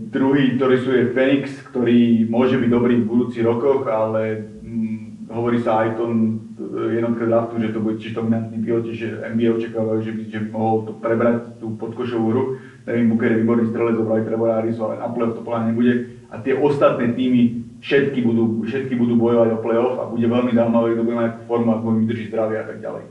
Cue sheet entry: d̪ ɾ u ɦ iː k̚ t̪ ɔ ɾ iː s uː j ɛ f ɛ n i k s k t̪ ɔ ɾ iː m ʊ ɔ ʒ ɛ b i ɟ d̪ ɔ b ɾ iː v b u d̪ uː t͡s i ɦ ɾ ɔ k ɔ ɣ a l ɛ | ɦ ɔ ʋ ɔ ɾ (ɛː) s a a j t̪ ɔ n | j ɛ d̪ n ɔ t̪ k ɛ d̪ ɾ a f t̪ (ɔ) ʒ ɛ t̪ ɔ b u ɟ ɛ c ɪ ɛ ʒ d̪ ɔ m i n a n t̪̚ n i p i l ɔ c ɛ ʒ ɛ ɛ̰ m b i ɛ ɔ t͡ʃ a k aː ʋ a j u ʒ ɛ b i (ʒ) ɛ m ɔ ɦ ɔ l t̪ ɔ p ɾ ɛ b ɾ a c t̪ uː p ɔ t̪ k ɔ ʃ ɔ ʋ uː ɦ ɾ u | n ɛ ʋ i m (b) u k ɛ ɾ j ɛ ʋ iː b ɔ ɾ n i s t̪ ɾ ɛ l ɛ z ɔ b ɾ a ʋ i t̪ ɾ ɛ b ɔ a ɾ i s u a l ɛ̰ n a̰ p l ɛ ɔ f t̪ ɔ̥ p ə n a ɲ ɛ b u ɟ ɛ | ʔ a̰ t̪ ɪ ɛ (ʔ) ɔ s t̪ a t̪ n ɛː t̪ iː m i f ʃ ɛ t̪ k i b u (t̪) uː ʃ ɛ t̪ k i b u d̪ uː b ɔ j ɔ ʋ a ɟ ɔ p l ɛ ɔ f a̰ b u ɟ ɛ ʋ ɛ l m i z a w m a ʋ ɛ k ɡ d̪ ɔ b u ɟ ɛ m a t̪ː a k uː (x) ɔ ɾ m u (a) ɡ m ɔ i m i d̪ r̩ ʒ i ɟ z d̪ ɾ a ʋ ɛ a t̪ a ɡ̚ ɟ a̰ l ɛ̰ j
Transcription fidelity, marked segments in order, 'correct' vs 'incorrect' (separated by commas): incorrect, incorrect, correct, correct, correct, incorrect, incorrect, correct